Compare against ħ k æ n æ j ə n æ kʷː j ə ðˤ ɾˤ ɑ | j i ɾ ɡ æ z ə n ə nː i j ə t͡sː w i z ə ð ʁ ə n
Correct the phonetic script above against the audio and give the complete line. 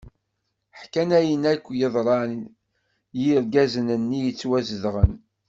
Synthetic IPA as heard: ħ k æ n æ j ə n æ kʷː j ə ðˤ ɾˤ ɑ | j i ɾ ɡ æ z ə n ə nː i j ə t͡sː w æ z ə ð ʁ ə n

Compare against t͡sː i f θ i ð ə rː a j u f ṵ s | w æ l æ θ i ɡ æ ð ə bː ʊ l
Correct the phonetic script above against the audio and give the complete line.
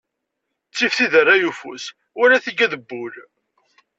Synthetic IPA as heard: t͡sː i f θ i ð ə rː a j u f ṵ s | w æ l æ θ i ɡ æ ð ə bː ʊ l

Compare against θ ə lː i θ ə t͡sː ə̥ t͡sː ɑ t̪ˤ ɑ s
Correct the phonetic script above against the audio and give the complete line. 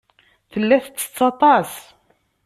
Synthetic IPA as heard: θ ə lː æ θ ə t͡sː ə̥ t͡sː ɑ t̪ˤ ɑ s

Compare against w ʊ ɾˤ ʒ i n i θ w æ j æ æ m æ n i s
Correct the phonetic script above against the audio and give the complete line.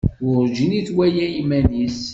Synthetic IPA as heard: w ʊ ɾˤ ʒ i n i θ w æ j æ i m æ n i s

